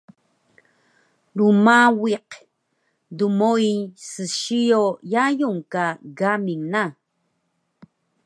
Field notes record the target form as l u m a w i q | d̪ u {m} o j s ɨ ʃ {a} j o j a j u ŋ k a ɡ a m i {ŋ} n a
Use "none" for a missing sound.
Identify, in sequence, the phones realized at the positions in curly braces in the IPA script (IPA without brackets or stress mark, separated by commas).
m, i, ŋ